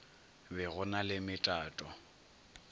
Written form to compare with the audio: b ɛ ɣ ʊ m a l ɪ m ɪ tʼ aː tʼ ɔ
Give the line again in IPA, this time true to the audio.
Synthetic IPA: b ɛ ɣ ʊ n a l ɪ m ɪ tʼ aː tʼ ɔ